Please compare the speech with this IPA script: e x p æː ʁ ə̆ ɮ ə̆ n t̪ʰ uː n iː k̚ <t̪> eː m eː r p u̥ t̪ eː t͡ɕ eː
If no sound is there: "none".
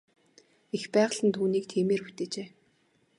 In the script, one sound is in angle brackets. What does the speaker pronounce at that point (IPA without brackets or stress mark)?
t̪ʰ